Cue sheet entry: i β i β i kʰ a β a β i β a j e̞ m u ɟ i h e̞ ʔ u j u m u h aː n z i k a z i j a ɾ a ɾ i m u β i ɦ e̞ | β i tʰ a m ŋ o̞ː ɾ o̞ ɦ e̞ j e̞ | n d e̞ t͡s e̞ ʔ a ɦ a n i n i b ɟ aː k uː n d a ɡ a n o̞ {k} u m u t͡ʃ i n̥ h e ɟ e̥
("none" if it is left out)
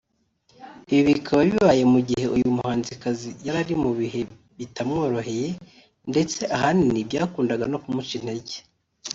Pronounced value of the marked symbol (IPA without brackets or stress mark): k